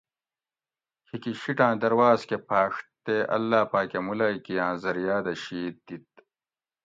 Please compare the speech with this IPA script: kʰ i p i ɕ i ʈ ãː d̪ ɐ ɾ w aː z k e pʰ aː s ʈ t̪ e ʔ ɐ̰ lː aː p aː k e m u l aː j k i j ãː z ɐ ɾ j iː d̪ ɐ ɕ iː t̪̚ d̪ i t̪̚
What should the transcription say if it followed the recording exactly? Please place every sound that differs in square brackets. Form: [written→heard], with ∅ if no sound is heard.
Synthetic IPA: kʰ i [p→k] i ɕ i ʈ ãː d̪ ɐ ɾ w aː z k e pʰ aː [s→ʂ] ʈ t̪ e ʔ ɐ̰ lː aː p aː k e m u l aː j k i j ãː z ɐ ɾ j [iː→aː] d̪ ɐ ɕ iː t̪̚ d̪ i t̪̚